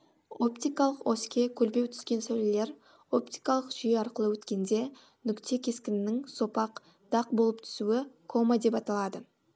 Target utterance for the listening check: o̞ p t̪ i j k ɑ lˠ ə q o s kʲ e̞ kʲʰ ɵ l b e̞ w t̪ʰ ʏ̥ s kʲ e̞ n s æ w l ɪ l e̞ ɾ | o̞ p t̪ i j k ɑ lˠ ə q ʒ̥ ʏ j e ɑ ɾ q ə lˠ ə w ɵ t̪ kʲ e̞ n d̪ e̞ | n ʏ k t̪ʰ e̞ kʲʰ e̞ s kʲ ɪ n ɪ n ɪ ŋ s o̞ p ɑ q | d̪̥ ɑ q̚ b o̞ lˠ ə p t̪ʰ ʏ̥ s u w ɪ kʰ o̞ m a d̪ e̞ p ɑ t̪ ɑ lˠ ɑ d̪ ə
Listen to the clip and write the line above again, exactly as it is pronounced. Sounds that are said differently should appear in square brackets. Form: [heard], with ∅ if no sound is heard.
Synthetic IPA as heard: o̞ p t̪ i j k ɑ lˠ ə q o s kʲ e̞ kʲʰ ɵ l b e̞ w t̪ʰ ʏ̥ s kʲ e̞ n s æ w l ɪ l e̞ ɾ | o̞ p t̪ i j k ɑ lˠ ə q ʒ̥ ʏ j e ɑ ɾ q ə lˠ ə w ɵ t̪ kʲ e̞ n d̪ e̞ | n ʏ k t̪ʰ e̞ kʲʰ e̞ s kʲ ɪ n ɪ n ɪ ŋ s o̞ p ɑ q | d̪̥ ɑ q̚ b o̞ lˠ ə p t̪ʰ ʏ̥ s u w ɪ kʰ o̞ m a d̪ e̞ p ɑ t̪ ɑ lˠ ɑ d̪ ə